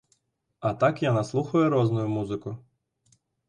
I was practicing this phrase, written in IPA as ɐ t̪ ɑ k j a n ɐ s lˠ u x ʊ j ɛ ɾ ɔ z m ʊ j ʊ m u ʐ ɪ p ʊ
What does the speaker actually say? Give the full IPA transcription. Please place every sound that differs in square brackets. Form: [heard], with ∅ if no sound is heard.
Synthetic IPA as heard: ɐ t̪ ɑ k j a n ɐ s lˠ u x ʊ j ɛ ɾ ɔ z [n] ʊ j ʊ m u [z] ɪ [k] ʊ